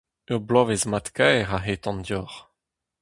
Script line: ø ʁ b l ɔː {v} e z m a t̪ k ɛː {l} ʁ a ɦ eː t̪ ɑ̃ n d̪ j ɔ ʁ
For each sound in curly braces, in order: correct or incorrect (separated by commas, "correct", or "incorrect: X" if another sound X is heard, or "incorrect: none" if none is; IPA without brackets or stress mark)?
correct, incorrect: none